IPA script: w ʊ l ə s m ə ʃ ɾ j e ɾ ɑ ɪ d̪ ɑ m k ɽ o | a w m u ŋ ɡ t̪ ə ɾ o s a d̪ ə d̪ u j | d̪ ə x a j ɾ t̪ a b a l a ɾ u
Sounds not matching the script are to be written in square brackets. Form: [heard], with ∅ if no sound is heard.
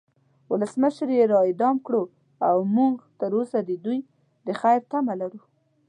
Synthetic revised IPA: w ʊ l ə s m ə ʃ ɾ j e ɾ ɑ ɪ d̪ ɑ m k ɽ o | a w m u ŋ ɡ t̪ ə ɾ o s a d̪ ə d̪ u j | d̪ ə x a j ɾ t̪ a [m] a l a ɾ u

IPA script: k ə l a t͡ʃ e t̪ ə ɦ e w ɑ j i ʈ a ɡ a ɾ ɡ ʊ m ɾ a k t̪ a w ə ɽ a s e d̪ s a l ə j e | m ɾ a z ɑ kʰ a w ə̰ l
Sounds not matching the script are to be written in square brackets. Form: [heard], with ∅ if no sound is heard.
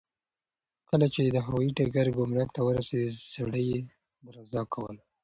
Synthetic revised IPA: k ə l a t͡ʃ e [d̪] ə ɦ [a] w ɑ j i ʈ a ɡ a ɾ ɡ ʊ m ɾ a k t̪ a w ə [ɾ] a s e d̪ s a [ɽ] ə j e | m ɾ a z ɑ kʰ a w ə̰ l

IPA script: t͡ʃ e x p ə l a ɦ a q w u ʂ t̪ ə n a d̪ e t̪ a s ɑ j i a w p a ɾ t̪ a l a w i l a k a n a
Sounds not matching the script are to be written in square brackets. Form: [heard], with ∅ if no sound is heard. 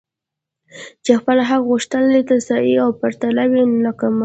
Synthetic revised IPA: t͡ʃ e x p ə l a ɦ a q [ɣ] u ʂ t̪ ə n a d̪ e t̪ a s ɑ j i a w p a ɾ t̪ a l a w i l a k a [m] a

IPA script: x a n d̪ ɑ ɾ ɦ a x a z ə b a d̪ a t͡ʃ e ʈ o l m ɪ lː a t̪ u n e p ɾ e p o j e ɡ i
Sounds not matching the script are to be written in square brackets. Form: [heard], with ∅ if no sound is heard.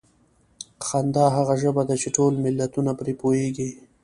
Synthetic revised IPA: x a n d̪ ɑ [∅] ɦ a [ɣ] a [ʒ] ə b a d̪ a t͡ʃ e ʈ o l m ɪ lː a t̪ u n [a] p ɾ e p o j e ɡ i

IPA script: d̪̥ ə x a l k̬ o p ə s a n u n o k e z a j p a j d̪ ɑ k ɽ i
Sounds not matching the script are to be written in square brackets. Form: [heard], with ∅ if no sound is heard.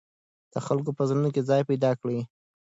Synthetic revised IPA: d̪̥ ə x a l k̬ o p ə [z] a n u n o k e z [ɑ] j p a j d̪ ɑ k ɽ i

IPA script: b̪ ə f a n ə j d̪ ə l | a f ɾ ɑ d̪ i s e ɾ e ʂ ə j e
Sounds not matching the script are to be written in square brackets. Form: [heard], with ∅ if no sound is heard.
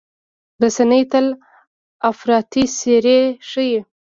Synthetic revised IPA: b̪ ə [s] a n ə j [t̪] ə l | a f ɾ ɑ [t̪] i s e ɾ e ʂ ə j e

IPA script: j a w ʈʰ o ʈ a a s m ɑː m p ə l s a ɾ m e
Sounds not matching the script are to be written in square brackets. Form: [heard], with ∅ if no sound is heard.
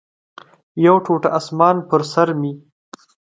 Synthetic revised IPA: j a w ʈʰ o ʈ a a s m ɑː [n] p ə [ɾ] s a ɾ m [i]

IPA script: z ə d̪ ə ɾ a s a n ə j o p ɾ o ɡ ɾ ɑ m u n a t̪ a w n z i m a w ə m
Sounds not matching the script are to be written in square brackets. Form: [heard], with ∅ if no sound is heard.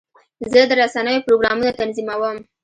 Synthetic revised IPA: z ə d̪ ə ɾ a s a n ə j o p ɾ o ɡ ɾ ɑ m u n a t̪ a [∅] n z i m a w ə m

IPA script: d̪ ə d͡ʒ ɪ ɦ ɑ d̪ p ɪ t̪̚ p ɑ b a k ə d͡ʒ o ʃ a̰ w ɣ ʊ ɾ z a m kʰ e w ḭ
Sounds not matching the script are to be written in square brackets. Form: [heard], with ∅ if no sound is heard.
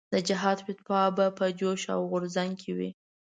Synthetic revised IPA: d̪ ə d͡ʒ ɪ ɦ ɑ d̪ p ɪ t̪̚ p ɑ b a [p] ə d͡ʒ o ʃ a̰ w ɣ ʊ ɾ z a [ŋ] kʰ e w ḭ

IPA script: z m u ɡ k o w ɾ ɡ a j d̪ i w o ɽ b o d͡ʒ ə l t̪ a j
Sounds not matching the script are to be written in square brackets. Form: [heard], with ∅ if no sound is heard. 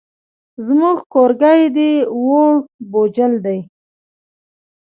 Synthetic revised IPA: z m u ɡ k o [∅] ɾ ɡ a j d̪ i w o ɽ b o d͡ʒ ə l [d̪] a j

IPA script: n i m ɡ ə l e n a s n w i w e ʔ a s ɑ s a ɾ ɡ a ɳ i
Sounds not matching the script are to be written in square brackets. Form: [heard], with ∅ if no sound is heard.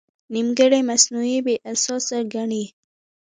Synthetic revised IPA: n i m ɡ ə [ɽ] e [m] a s n [u] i [b] e ʔ a s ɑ s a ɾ ɡ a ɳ i

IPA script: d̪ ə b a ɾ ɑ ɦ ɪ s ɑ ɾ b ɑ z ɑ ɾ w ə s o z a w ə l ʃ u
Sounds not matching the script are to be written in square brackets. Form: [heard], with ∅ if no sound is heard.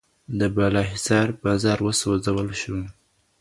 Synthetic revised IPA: d̪ ə b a [l] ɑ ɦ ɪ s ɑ ɾ b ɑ z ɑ ɾ w ə s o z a w ə l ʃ u

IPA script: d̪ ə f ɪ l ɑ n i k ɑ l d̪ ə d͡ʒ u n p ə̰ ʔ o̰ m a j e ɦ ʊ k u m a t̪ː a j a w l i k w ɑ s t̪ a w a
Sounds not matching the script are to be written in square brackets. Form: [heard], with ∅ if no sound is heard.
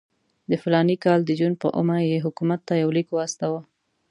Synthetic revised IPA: d̪ ə f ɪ l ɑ n i k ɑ l d̪ ə d͡ʒ u n p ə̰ ʔ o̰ m a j e ɦ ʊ k u m a t̪ː a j a w l i k w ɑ s t̪ a w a

